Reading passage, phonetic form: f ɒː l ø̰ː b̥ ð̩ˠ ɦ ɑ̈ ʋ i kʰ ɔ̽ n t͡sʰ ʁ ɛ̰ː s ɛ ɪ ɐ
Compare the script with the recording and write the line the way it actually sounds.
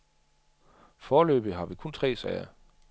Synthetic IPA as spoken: f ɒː l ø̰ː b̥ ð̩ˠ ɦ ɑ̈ ʋ i kʰ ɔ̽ n t͡sʰ ʁ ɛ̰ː s ɛ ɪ ɐ